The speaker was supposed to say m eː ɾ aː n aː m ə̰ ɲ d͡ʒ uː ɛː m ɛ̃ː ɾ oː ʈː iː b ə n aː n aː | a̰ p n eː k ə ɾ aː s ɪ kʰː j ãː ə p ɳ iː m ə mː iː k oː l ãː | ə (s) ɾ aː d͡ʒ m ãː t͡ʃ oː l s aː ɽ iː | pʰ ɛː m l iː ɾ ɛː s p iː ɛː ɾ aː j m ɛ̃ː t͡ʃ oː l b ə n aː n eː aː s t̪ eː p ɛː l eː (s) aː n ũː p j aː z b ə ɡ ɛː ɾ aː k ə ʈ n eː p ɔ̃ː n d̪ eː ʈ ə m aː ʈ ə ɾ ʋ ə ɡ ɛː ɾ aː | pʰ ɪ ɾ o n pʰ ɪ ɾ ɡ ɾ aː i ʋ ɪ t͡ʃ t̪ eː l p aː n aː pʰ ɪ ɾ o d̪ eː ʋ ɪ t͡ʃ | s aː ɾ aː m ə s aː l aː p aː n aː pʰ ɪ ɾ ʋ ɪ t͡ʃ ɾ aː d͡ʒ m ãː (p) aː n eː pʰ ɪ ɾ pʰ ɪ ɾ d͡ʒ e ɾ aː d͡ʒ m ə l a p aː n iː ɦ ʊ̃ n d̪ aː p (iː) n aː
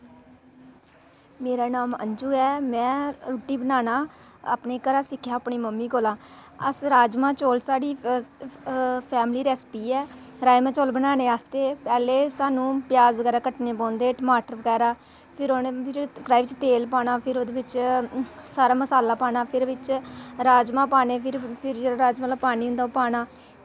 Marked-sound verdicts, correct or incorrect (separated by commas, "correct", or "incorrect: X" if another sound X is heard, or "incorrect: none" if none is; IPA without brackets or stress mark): correct, correct, correct, incorrect: aː